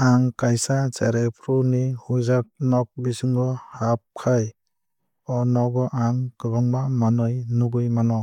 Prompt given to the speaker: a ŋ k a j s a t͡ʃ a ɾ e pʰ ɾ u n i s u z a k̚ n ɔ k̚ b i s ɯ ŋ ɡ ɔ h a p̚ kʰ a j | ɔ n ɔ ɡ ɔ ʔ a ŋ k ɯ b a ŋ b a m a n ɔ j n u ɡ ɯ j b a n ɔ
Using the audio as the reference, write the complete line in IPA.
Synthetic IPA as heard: a ŋ k a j s a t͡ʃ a ɾ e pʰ ɾ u n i h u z a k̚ n ɔ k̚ b i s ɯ ŋ ɡ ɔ h a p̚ kʰ a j | ɔ n ɔ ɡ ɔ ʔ a ŋ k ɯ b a ŋ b a m a n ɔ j n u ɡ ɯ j m a n ɔ